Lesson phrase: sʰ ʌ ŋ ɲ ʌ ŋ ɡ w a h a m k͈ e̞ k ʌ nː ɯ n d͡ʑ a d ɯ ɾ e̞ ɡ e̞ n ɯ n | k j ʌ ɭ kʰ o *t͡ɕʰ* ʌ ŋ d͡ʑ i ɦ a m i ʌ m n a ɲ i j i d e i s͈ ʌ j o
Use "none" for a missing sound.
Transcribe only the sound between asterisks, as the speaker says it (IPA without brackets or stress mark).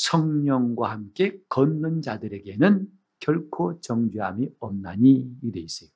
t͡ɕ